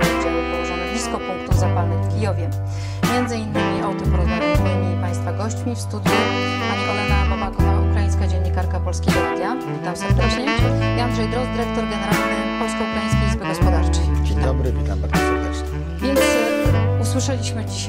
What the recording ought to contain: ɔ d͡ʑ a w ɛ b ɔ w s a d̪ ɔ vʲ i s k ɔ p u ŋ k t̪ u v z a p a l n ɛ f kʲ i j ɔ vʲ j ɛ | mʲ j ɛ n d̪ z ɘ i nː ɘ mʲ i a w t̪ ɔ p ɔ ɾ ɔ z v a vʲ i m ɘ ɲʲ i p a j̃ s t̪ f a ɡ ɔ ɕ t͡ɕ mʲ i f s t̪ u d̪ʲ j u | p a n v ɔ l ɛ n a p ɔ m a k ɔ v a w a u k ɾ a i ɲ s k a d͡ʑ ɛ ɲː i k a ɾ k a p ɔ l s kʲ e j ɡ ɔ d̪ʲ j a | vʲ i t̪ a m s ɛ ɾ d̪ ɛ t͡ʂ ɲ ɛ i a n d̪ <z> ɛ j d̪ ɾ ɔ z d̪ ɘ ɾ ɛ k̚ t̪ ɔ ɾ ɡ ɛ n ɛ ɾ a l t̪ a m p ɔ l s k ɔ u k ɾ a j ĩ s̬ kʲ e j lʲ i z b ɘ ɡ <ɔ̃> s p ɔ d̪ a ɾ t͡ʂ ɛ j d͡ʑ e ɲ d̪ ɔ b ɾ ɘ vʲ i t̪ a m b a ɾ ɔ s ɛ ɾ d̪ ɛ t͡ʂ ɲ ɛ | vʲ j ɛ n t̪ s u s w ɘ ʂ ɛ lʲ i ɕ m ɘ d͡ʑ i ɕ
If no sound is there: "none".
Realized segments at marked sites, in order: ʐ, ɔ

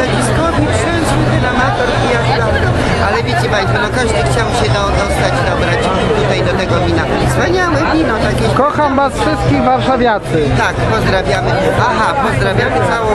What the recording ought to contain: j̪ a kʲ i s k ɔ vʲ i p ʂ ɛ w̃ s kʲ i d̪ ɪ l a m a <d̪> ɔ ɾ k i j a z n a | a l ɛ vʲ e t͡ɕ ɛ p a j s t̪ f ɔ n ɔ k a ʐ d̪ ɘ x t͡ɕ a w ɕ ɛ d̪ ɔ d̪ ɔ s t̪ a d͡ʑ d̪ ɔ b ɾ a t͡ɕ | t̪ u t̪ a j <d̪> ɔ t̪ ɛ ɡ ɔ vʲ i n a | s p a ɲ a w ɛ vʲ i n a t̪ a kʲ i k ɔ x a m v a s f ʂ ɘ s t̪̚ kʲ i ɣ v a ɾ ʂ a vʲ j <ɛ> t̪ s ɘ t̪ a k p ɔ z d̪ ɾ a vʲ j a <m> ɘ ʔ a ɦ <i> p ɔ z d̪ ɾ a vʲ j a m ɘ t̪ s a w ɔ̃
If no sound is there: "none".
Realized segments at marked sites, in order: t̪, d̪, a, m, a

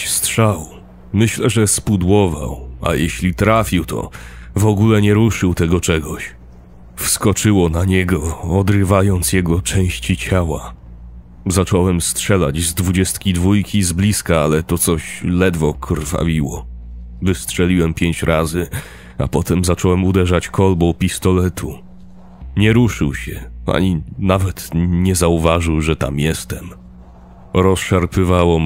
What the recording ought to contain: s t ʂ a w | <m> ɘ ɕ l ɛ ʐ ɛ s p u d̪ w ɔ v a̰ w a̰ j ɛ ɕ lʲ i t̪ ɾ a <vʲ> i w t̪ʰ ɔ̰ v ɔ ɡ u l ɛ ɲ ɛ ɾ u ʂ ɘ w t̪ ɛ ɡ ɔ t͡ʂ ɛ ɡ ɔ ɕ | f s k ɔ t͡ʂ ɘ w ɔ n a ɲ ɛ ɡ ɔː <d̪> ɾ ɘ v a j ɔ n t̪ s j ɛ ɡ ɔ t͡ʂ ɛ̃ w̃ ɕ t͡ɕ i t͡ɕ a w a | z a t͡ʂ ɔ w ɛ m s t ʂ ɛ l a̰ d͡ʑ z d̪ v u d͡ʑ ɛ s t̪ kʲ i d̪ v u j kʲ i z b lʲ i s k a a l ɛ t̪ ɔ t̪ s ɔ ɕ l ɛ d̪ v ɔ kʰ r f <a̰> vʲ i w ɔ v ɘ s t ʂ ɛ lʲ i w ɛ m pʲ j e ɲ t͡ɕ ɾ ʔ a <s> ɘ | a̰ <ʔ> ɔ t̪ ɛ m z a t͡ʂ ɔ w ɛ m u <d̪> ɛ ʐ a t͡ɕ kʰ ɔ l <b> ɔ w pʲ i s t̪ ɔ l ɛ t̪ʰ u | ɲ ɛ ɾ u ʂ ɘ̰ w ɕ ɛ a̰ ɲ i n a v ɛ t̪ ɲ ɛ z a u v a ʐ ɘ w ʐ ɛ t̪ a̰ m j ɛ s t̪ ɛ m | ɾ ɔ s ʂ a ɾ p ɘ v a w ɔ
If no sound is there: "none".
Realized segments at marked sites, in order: m, fʲ, d̪, a̰, z, p, d̪, b

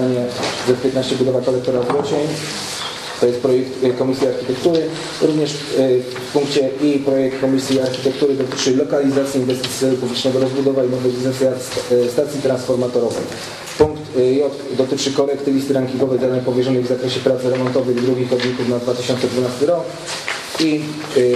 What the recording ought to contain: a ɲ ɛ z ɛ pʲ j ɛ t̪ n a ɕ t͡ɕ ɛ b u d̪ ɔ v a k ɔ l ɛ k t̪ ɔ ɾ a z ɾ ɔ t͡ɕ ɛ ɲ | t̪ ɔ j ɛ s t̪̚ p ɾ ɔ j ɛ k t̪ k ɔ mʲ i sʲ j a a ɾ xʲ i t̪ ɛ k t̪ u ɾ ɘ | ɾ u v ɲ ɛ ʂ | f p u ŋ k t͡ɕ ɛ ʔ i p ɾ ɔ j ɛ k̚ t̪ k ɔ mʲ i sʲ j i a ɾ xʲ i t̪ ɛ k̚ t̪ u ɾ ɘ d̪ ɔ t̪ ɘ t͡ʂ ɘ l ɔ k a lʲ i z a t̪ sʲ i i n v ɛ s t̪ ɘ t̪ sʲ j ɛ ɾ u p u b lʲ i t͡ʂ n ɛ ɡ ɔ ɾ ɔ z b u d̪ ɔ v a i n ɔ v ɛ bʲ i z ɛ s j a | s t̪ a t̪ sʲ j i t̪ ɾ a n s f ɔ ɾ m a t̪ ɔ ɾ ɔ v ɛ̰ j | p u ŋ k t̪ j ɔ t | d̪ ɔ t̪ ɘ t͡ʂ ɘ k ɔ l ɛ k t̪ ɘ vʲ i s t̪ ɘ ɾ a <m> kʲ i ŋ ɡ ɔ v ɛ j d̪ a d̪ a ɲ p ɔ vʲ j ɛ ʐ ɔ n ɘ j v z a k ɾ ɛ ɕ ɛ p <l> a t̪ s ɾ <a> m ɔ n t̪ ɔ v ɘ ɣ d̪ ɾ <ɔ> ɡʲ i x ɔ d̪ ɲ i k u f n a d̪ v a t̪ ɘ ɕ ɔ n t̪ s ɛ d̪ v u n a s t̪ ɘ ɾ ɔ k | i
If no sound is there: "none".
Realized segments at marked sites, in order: ŋ, ɾ, ɛ, u

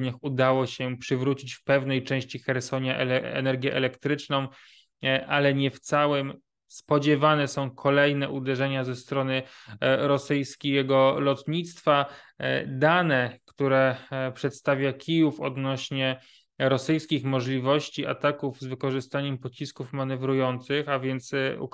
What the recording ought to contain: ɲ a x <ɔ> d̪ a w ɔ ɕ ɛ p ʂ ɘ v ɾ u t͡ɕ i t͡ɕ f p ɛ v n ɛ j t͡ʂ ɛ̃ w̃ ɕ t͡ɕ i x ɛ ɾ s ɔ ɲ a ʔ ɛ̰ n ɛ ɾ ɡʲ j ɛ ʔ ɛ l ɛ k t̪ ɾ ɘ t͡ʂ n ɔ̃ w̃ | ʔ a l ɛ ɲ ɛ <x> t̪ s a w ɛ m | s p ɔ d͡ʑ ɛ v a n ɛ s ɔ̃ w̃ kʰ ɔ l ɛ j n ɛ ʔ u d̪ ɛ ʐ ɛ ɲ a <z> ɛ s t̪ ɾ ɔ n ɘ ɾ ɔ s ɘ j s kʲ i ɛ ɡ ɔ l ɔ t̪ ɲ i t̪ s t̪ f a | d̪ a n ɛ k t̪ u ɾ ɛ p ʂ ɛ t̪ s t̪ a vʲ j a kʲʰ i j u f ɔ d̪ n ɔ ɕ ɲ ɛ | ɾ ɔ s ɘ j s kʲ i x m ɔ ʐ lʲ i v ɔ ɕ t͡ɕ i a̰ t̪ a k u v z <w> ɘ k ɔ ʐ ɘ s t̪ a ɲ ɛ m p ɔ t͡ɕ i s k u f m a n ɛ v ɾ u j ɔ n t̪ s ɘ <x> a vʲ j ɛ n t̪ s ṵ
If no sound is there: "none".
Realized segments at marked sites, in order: u, f, z, v, x

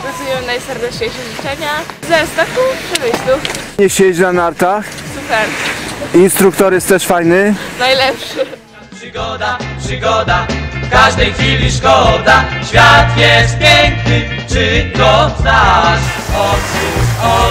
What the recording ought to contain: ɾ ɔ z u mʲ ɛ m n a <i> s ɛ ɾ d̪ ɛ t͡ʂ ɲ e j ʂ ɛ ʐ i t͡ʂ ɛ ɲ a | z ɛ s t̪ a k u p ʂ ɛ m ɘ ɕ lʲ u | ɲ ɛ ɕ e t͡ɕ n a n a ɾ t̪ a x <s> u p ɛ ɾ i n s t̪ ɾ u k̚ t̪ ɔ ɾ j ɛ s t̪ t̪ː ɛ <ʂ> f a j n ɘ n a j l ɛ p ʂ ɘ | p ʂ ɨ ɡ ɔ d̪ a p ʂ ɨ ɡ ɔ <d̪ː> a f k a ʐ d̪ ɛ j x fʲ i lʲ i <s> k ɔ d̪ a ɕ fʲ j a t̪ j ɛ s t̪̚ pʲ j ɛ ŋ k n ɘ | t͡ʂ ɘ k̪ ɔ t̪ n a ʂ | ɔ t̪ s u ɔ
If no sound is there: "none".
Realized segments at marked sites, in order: j, s, ʂ, d̪, ʂ

